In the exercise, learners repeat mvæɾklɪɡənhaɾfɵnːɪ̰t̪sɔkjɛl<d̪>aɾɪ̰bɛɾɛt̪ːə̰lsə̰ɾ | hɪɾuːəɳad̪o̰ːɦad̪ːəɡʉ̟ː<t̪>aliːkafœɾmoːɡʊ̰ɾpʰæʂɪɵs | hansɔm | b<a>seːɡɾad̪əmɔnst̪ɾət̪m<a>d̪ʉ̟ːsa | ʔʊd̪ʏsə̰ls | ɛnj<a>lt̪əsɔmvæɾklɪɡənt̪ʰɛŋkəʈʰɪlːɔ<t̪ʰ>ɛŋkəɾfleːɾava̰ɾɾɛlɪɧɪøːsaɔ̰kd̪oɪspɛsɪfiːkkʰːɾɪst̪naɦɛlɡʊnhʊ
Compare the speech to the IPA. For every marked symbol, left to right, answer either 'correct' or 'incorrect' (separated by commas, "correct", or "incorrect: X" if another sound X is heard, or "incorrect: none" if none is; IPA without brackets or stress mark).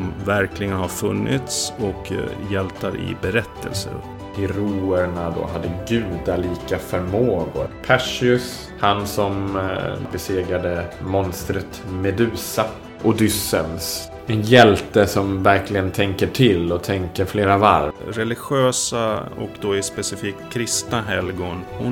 incorrect: t̪, incorrect: d̪, incorrect: ɛ, incorrect: ɛ, incorrect: ɛ, correct